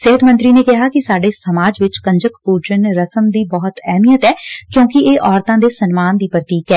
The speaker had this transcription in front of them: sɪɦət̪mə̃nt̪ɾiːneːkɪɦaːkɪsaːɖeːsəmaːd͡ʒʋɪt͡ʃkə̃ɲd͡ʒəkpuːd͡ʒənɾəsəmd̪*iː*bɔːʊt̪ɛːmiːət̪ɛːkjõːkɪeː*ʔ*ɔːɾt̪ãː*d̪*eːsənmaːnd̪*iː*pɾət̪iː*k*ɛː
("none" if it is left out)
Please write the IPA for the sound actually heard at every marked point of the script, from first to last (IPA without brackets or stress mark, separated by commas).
iː, ʔ, d̪, iː, k